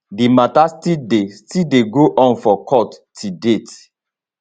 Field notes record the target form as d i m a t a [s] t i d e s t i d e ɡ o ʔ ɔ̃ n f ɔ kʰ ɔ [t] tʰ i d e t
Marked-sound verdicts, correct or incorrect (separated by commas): correct, correct